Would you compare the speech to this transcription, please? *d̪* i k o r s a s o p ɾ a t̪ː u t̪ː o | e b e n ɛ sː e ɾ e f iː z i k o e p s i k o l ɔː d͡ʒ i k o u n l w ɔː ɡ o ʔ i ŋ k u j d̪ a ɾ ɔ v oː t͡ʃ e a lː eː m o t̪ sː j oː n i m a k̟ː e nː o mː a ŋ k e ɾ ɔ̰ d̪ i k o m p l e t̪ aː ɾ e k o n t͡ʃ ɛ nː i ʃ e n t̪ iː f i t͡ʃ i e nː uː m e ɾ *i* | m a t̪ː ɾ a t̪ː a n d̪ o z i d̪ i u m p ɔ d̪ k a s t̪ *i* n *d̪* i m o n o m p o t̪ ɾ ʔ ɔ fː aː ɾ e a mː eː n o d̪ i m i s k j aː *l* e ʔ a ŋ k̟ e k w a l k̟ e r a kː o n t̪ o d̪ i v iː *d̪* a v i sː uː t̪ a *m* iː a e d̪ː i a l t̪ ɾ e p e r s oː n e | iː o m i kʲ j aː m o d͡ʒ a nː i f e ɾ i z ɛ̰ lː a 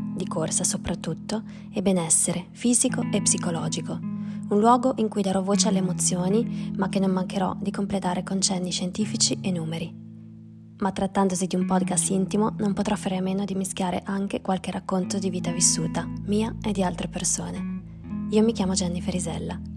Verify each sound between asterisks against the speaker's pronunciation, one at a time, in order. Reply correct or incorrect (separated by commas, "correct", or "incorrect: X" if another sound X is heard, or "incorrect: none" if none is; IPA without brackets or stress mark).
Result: correct, correct, correct, incorrect: t̪, incorrect: ɾ, incorrect: t̪, correct